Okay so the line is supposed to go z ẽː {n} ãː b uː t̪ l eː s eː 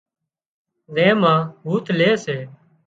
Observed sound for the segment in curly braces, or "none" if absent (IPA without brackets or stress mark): m